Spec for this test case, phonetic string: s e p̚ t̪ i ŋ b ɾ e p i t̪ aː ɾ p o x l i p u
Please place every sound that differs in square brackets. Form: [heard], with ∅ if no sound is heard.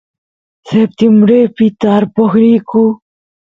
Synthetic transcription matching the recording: s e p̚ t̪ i [m] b ɾ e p i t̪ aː ɾ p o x [ɾ] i [k] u